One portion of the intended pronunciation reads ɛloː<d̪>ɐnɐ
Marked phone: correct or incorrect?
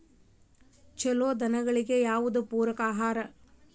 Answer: correct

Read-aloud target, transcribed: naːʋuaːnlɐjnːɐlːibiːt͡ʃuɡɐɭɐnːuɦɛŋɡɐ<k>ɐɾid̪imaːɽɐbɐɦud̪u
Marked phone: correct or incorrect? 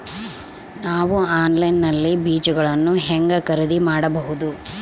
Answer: correct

